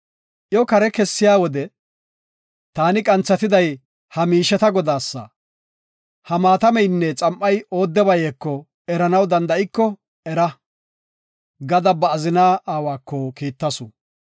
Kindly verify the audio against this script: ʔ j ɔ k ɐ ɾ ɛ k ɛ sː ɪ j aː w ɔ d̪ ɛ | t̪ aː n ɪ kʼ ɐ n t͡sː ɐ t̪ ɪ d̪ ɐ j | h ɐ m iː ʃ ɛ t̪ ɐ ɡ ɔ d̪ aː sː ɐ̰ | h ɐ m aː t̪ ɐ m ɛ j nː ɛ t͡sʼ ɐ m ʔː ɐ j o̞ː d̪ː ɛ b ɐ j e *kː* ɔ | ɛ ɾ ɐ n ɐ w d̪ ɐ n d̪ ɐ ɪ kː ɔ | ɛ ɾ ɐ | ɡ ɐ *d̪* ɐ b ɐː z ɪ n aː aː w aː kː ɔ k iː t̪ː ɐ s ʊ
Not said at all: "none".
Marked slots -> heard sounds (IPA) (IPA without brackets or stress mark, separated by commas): kː, d̪